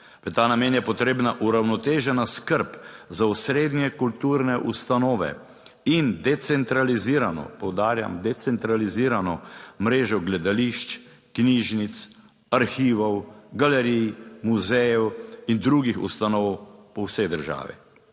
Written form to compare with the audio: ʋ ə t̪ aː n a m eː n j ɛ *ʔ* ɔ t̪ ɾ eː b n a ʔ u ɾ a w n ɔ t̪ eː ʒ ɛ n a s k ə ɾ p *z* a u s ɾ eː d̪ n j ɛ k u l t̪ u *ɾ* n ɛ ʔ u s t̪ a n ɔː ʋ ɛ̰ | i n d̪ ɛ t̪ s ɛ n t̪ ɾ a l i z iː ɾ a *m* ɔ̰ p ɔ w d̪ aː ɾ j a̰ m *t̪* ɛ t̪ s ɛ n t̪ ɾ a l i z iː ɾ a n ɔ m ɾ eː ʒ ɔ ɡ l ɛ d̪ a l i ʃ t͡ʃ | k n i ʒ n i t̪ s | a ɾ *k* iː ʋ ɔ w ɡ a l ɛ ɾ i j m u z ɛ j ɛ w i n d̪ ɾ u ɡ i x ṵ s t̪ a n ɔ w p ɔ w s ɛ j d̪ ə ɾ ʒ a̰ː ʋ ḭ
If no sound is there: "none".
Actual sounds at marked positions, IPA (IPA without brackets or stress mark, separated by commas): p, z, ɾ, n, d̪, x